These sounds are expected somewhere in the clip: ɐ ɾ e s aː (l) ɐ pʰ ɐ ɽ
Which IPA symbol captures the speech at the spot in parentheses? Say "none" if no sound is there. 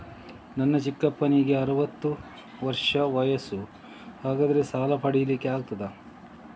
l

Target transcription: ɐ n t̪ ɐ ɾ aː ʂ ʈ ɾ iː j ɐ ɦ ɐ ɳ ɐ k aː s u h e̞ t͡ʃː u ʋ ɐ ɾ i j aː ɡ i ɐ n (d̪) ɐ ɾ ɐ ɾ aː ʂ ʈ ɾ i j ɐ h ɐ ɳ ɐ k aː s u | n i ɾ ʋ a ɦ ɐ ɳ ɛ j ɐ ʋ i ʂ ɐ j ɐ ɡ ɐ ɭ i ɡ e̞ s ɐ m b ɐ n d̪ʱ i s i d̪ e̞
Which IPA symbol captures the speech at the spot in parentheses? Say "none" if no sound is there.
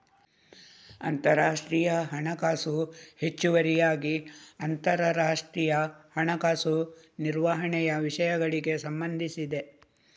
t̪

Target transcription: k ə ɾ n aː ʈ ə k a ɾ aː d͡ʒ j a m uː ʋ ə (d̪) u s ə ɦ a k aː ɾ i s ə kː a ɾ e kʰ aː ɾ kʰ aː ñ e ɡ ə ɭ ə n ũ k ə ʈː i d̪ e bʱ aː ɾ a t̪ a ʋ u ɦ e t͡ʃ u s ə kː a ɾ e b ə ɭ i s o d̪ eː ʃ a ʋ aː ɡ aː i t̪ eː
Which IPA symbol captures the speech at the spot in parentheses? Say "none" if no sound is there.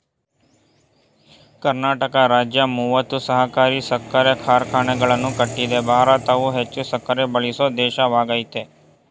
t̪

